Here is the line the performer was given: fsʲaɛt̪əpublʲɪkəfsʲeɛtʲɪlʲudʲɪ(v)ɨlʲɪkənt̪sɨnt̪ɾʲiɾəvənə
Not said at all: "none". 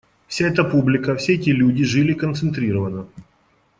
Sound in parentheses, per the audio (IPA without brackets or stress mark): ʐ